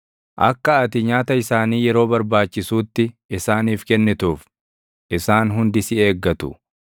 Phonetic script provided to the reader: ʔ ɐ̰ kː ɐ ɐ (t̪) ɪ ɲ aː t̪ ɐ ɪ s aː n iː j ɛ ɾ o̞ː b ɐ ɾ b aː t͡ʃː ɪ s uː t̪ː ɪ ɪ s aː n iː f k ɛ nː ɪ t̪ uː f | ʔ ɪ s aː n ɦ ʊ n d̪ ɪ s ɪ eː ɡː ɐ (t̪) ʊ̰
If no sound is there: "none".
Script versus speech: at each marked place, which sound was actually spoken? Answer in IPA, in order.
t̪, t̪

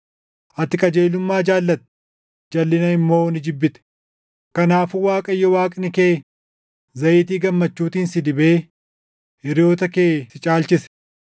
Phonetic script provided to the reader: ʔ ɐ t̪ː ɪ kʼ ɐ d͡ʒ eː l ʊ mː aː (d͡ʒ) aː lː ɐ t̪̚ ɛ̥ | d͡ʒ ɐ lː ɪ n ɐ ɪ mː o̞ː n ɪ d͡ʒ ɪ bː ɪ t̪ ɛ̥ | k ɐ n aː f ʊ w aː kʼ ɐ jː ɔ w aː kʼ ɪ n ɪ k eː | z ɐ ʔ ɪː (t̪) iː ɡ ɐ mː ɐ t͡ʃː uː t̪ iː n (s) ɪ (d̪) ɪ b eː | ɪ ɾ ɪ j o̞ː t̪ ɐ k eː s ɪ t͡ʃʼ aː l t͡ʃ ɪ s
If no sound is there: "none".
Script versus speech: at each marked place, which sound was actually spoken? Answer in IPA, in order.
d͡ʒ, t̪, s, d̪

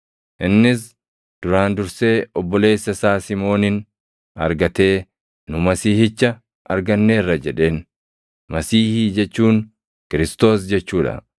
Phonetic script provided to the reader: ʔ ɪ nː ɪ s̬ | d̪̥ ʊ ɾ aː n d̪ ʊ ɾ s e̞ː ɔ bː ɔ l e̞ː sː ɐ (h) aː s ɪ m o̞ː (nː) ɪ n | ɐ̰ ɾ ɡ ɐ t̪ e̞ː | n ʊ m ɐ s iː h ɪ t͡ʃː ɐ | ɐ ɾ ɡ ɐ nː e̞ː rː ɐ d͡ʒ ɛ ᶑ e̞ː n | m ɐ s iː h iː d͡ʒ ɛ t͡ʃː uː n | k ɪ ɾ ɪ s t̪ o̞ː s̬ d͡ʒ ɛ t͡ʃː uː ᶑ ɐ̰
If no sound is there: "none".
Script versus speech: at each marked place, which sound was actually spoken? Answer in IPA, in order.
s, n

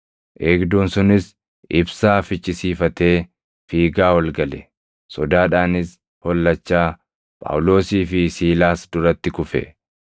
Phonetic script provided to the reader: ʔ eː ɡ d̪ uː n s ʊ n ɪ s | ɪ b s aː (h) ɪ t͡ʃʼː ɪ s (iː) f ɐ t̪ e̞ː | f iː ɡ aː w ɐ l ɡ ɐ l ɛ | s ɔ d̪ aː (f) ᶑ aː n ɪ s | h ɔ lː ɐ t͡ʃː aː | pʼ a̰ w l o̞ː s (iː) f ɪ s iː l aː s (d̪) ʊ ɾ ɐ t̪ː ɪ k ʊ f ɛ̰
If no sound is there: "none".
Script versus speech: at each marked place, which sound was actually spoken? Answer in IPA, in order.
f, iː, none, iː, d̪

